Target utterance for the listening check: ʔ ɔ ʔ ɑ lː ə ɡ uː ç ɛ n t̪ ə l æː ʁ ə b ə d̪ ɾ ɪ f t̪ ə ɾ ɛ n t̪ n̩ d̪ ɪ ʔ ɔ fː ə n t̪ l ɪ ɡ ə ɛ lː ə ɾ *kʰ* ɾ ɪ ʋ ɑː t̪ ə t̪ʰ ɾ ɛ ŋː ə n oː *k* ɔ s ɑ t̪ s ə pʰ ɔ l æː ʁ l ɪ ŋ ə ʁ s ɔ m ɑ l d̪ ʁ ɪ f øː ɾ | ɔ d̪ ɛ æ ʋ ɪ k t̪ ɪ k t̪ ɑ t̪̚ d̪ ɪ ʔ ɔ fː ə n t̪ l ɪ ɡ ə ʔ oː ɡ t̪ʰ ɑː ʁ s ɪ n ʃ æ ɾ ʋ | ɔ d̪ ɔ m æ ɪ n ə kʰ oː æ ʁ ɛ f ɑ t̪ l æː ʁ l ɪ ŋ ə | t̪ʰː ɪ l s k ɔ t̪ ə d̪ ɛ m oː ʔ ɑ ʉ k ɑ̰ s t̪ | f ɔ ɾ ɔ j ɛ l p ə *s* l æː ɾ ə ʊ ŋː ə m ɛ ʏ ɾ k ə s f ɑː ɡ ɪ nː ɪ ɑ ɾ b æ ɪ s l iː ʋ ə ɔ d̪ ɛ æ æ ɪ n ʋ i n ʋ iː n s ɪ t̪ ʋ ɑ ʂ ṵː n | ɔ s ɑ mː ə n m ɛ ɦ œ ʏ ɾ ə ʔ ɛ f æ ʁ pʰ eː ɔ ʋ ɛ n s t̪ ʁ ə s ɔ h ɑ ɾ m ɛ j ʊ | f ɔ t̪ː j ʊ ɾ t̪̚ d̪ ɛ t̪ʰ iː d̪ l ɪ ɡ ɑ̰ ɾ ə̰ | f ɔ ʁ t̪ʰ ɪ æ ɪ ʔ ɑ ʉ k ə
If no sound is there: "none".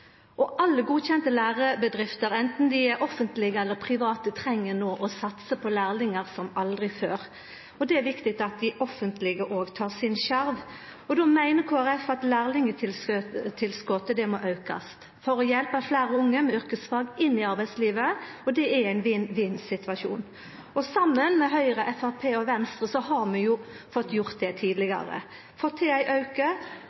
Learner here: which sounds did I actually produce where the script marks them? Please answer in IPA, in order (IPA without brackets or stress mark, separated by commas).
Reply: pʰ, ʔ, f